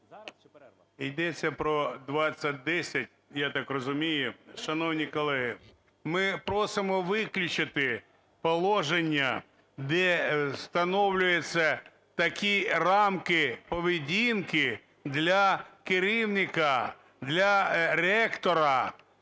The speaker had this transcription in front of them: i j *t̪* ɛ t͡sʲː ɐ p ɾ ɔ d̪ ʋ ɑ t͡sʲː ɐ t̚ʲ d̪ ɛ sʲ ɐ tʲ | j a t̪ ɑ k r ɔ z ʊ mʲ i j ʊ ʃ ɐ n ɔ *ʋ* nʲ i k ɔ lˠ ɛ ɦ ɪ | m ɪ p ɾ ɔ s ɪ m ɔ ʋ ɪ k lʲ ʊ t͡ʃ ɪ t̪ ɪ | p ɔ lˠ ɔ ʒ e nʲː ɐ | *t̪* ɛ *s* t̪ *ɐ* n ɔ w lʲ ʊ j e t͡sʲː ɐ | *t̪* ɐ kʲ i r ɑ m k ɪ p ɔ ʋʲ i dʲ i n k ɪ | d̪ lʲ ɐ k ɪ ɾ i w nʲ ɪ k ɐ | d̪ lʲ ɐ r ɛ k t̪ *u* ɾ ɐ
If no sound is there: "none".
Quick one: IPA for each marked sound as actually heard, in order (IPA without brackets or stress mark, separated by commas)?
d̪, w, d̪, s, ɐ, t̪, ɔ